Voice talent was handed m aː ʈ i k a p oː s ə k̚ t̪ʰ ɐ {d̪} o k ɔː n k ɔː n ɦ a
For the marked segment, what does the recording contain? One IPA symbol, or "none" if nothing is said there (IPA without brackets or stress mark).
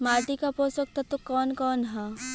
t̪